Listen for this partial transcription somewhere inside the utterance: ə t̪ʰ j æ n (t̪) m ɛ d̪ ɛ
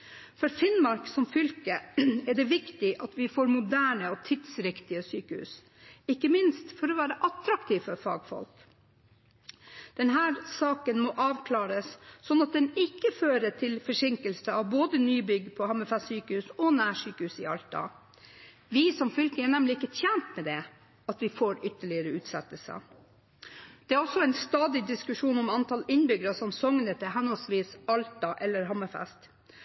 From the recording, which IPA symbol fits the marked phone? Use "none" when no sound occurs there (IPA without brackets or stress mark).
t̪